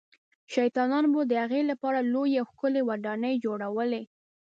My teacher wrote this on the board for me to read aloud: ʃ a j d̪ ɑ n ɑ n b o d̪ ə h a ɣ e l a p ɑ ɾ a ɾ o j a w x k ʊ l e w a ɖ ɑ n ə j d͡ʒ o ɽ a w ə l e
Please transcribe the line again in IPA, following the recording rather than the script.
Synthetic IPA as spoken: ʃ a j t̪ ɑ n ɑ n b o d̪ ə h a ɣ e l a p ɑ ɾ a l o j a w x k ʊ l e w a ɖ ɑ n ə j d͡ʒ o ɽ a w ə l e